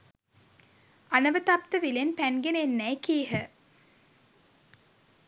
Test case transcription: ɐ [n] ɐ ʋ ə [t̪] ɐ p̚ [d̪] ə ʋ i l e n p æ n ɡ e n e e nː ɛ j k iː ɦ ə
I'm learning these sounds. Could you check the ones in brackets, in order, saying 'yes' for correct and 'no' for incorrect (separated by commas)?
yes, yes, no